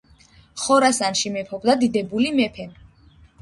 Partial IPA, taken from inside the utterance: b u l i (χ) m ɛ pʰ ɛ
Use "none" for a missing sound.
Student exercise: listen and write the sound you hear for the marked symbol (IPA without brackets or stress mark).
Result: none